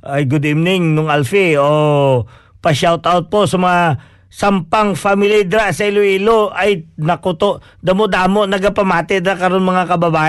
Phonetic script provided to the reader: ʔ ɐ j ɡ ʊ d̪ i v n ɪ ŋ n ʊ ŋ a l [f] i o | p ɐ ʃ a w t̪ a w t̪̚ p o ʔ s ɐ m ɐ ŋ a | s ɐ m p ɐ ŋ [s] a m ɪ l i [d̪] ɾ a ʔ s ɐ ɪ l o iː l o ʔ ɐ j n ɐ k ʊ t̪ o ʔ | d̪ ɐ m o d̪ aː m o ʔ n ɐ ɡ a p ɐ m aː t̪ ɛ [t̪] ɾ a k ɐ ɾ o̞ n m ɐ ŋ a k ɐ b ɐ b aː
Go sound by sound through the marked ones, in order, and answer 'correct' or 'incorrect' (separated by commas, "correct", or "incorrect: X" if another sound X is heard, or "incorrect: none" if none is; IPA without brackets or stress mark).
correct, incorrect: f, correct, incorrect: d̪